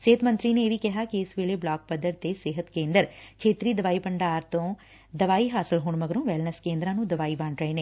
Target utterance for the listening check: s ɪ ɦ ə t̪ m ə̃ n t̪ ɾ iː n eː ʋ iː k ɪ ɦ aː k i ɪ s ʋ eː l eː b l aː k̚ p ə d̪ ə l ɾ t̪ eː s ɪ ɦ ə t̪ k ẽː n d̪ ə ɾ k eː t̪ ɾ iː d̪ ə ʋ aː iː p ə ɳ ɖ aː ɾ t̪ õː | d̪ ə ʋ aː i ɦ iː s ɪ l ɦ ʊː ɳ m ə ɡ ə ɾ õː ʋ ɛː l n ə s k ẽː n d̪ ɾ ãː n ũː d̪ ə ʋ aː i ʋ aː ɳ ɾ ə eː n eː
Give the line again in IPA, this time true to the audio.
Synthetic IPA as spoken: s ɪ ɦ ə t̪ m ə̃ n t̪ ɾ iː n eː ʋ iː k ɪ ɦ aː k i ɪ s ʋ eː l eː b l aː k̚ p ə d̪ ə ɾ t̪ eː s ɪ ɦ ə t̪ k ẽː n d̪ ə ɾ kʰ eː t̪ ɾ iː d̪ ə ʋ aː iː p ə ɳ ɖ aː ɾ t̪ õː | d̪ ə ʋ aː i ɦ aː s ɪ l ɦ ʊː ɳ m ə ɡ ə ɾ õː ʋ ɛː l n ə s k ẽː n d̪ ɾ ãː n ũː d̪ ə ʋ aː i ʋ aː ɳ ɾ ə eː n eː

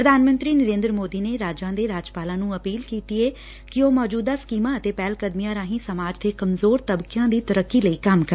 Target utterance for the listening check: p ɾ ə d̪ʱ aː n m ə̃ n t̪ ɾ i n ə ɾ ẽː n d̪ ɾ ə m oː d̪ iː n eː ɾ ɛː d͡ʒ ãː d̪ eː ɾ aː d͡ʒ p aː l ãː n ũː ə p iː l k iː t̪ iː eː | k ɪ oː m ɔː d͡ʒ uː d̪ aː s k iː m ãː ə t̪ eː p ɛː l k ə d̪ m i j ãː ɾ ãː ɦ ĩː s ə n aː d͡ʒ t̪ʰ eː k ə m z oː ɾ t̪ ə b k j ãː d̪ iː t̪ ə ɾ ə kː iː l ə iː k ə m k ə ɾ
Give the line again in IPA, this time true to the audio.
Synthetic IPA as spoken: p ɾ ə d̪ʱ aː n m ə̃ n t̪ ɾ iː n ə ɾ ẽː n d̪ ɾ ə m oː d̪ iː n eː ɾ aː d͡ʒ ãː d̪ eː ɾ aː d͡ʒ p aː l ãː n ũː ə p iː l k iː t̪ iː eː | k ɪ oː m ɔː d͡ʒ uː d̪ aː s k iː m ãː ə t̪ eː p ɛː l k ə d̪ m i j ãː ɾ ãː ɦ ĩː s ə m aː d͡ʒ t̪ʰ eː k ə m z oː ɾ t̪ ə b k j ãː d̪ iː t̪ ə ɾ ə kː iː l ə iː k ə m k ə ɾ

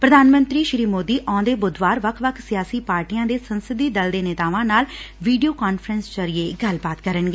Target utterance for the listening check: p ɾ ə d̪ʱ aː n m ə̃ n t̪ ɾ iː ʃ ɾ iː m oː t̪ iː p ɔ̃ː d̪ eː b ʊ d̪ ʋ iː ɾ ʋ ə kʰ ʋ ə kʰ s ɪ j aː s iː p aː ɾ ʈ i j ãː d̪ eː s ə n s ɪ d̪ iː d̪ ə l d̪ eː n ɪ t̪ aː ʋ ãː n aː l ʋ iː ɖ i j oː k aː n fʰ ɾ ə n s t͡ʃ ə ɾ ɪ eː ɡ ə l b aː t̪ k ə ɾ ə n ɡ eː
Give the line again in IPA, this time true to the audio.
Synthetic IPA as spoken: p ɾ ə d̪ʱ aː n m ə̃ n t̪ ɾ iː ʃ ɾ iː m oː d̪ iː ʔ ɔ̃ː d̪ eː b ʊ d̪ ʋ aː ɾ ʋ ə kʰ ʋ ə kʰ s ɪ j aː s iː p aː ɾ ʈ i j ãː d̪ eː s ə n s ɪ d̪ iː d̪ ə l d̪ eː n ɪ t̪ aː ʋ ãː n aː l ʋ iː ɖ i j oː k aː n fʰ ɾ ə n s t͡ʃ ə ɾ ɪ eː ɡ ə l b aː t̪ k ə ɾ ə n ɡ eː

